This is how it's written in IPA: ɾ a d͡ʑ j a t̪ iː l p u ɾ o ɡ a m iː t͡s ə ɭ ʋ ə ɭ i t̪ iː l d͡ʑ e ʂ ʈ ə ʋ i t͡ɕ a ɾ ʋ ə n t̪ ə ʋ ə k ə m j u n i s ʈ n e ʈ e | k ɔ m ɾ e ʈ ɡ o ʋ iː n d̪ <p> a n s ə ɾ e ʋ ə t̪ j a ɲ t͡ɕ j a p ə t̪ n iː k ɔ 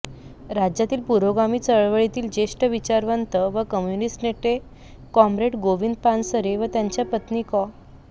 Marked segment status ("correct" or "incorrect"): correct